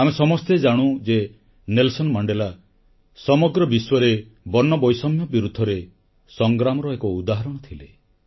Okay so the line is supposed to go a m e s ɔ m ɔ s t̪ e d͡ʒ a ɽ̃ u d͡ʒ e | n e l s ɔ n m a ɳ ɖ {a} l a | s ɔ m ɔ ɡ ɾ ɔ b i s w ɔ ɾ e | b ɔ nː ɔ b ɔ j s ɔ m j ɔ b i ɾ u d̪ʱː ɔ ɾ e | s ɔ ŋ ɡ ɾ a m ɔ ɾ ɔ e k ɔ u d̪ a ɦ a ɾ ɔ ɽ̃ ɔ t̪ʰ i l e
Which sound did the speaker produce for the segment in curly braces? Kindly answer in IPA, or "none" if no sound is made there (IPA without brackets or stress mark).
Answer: e